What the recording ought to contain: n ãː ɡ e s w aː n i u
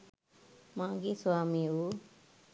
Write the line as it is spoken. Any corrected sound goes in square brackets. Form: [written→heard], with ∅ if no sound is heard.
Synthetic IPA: [n→m] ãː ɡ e s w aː [n→m] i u